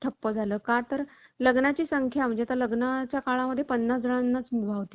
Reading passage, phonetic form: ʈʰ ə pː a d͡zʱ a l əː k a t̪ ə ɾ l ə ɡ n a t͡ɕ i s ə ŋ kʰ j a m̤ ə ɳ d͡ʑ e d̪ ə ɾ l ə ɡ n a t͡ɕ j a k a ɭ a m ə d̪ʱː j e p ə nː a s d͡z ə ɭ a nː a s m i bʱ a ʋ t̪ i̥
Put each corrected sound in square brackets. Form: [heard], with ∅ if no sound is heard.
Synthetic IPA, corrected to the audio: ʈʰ ə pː [ə] d͡zʱ a l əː k a t̪ ə ɾ l ə ɡ n a t͡ɕ [iː] s ə ŋ kʰ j a m̤ ə ɳ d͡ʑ e [t̪] ə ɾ l ə ɡ n a t͡ɕ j a k a ɭ a m ə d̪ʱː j e p ə nː a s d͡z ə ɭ a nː a [t͡s] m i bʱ a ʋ t̪ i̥